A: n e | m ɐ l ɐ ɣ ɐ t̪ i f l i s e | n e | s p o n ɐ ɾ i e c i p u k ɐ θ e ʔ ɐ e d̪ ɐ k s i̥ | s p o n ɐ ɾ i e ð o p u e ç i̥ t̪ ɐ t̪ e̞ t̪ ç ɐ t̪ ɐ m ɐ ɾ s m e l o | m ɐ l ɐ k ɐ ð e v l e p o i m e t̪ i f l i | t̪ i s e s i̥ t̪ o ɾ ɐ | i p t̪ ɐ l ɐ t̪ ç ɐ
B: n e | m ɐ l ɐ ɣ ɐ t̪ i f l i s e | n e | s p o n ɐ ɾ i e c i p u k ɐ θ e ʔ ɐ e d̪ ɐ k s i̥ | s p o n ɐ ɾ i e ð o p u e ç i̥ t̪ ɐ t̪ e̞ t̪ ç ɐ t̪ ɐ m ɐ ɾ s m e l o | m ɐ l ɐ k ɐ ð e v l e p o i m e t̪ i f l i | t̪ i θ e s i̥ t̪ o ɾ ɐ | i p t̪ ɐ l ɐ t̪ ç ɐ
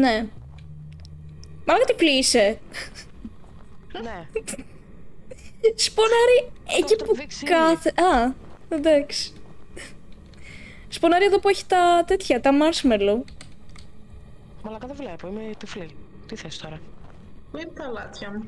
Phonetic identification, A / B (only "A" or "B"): B